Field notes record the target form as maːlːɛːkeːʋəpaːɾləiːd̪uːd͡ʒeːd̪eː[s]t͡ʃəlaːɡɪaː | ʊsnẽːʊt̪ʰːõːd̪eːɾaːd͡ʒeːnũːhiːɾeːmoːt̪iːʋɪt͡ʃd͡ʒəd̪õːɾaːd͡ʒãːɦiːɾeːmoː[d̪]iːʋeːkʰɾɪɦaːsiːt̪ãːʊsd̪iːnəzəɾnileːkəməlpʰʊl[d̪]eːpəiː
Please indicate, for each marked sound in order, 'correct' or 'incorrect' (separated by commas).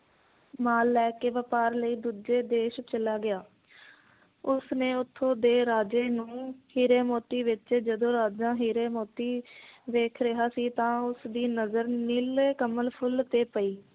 incorrect, incorrect, incorrect